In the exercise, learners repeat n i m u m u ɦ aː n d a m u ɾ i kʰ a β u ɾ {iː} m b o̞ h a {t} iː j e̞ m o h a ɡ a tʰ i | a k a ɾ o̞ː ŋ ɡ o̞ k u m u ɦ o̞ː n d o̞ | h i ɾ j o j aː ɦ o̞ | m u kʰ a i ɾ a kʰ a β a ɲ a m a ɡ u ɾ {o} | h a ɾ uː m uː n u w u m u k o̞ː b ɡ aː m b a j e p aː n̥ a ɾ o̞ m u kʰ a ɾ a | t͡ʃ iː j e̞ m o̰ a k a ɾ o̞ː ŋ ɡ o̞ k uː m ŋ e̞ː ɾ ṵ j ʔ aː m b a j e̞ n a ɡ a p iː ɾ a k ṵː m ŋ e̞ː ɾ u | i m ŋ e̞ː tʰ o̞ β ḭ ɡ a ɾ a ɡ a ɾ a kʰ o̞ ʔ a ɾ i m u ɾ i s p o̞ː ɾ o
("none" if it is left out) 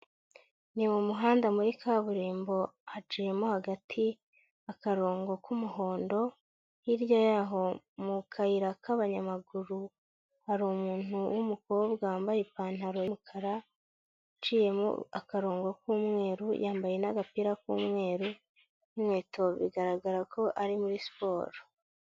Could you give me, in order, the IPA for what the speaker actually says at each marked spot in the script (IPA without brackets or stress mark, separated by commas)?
iː, t͡ʃ, u